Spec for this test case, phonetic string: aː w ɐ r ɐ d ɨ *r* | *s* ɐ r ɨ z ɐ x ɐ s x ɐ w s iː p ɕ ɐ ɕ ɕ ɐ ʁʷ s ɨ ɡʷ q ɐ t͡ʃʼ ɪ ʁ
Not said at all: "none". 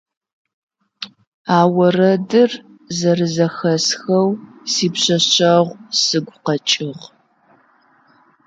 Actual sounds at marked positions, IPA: r, z

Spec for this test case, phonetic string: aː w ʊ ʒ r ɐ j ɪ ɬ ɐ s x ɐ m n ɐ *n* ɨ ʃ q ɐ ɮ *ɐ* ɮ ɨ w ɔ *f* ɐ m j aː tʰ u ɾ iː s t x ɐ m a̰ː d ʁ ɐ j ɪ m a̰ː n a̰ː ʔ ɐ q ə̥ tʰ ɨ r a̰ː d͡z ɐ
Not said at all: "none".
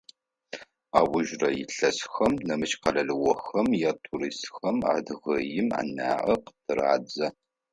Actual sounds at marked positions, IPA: m, ɐ, x

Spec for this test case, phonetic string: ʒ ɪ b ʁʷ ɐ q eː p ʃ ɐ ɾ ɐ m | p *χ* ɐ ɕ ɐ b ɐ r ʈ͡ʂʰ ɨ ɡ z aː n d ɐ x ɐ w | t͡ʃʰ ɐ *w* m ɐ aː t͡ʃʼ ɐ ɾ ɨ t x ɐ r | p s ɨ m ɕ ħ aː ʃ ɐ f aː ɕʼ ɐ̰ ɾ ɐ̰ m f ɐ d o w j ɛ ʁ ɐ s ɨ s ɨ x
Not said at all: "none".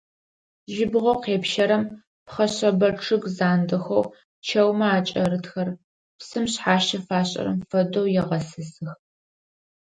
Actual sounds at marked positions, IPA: χ, w

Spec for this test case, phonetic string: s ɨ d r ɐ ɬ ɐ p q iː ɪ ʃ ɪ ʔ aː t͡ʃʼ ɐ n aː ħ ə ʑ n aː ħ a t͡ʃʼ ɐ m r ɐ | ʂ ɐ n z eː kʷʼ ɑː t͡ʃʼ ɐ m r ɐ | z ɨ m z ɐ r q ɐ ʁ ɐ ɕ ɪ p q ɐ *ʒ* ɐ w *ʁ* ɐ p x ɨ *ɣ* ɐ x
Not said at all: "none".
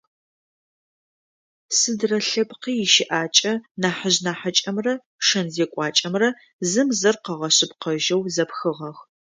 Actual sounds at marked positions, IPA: ʒ, z, ʁ

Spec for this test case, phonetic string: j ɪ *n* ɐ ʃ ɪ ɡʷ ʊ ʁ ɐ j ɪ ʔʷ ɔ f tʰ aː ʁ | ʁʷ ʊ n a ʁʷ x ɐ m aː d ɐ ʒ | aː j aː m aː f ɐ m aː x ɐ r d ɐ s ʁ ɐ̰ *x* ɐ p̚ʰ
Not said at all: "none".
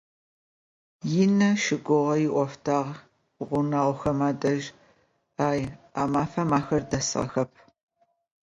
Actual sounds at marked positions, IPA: n, x

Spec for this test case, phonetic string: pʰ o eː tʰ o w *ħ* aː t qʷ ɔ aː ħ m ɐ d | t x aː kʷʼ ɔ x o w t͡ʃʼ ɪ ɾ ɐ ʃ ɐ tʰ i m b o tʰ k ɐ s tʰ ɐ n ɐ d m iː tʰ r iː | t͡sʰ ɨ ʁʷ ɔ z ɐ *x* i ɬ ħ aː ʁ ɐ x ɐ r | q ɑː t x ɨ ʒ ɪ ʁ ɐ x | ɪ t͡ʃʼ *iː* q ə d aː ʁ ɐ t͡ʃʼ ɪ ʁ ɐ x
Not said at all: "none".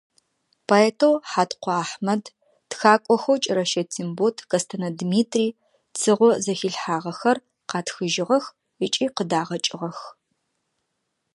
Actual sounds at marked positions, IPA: ħ, x, iː

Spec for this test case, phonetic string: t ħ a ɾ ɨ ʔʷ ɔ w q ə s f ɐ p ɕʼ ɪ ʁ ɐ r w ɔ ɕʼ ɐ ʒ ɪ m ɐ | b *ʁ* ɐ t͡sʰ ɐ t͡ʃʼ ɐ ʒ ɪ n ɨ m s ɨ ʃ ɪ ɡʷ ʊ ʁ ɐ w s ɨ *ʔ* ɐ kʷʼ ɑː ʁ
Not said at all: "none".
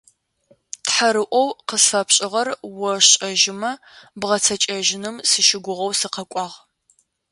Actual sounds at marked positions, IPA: ʁ, q

